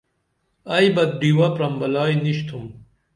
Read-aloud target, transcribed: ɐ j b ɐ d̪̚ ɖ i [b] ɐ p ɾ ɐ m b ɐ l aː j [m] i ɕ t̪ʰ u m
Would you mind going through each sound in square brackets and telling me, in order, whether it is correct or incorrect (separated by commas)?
incorrect, incorrect